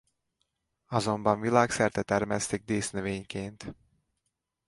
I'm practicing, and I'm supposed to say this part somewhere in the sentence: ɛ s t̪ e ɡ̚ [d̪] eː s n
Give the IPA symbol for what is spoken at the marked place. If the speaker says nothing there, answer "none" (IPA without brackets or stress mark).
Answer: d̪